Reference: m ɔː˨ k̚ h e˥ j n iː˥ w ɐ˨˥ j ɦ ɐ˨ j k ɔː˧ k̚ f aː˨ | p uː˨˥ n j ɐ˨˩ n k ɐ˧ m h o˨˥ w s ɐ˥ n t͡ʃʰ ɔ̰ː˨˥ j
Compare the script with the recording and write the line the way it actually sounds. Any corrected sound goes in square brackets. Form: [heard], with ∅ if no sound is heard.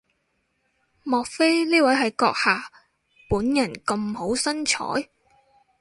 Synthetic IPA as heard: m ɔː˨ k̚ [f] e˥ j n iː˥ w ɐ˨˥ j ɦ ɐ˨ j k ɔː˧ k̚ [h] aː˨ | p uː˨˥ n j ɐ˨˩ n k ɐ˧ m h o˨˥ w s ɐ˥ n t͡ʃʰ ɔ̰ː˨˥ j